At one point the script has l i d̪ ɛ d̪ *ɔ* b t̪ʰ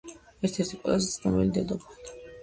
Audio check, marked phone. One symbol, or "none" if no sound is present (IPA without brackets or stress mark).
ɔ